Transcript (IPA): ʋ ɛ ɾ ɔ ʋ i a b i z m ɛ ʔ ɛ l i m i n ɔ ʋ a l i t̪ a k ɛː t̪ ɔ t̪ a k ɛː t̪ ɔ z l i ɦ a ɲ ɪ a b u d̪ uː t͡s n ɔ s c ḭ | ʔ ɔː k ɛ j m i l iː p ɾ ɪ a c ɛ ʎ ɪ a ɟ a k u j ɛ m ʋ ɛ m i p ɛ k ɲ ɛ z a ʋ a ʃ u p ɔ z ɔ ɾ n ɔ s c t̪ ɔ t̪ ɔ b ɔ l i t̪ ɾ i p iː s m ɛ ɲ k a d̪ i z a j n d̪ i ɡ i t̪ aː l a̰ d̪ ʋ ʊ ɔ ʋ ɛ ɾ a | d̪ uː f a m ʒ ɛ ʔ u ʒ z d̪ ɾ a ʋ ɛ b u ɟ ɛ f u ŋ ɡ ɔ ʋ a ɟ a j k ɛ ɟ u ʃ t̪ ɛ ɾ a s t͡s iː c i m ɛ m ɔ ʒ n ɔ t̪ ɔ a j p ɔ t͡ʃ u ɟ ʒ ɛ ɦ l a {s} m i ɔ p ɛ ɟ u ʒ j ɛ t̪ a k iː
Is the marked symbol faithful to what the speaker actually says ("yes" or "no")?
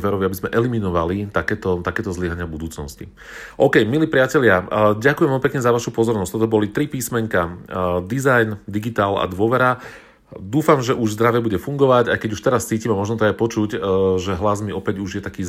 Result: no